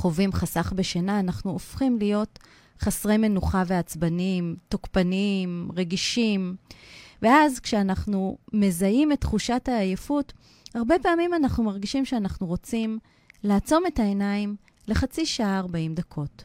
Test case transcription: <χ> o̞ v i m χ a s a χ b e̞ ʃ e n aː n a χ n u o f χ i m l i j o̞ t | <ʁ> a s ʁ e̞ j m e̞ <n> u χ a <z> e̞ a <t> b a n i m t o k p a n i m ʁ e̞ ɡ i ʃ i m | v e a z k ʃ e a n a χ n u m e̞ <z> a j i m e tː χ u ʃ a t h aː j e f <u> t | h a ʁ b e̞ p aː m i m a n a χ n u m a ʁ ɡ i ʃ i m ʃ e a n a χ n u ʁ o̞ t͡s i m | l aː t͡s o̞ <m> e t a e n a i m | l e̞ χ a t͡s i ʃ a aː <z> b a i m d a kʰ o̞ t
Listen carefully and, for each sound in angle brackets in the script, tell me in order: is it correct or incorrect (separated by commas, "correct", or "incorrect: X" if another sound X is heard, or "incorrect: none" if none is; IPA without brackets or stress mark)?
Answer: correct, incorrect: χ, correct, incorrect: v, incorrect: t͡s, correct, correct, correct, incorrect: ʁ